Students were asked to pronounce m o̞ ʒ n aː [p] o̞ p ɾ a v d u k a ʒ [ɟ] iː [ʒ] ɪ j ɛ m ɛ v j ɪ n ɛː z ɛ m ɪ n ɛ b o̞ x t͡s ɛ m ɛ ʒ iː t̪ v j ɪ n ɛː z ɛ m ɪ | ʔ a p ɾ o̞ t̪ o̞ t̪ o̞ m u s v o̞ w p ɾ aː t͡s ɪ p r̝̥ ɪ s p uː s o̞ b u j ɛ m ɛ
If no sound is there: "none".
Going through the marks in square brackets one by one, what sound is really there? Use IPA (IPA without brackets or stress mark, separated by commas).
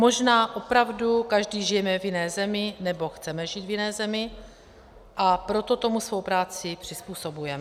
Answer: ʔ, d, ʒ